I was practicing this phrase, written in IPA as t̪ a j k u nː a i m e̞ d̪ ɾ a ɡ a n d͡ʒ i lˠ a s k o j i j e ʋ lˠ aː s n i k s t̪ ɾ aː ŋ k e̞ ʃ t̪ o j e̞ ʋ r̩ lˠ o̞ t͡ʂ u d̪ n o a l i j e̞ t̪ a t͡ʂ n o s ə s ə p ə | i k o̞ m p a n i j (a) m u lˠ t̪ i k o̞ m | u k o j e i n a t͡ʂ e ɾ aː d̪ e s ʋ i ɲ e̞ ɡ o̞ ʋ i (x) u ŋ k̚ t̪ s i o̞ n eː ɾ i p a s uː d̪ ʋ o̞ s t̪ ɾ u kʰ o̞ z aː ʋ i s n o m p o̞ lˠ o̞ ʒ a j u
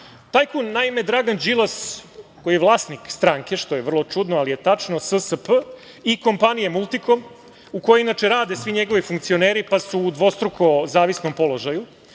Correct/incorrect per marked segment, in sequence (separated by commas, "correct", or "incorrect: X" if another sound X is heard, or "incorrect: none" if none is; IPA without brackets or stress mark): incorrect: e, incorrect: f